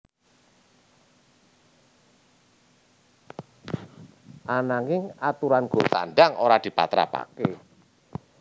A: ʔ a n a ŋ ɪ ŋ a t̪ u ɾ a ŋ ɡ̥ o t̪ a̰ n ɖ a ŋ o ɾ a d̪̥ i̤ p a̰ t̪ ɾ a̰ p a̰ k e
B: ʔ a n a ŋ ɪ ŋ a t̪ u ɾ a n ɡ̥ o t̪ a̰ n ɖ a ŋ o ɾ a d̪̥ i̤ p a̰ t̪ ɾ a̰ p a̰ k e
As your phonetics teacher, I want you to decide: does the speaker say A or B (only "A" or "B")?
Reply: B